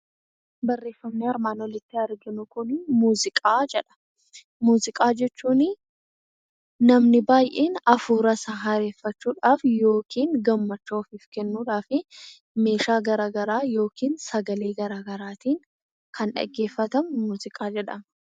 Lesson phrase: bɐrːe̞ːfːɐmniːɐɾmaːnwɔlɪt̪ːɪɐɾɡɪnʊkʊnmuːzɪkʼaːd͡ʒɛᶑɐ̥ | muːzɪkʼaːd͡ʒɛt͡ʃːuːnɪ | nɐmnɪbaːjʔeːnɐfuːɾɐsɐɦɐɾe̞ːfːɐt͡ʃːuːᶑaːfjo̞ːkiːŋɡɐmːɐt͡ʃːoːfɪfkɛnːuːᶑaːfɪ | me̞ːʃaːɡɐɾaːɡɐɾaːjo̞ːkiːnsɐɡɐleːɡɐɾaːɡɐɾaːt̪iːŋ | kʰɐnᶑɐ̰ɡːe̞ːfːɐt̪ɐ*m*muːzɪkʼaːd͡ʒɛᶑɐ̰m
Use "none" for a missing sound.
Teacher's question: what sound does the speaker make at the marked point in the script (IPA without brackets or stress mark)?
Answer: m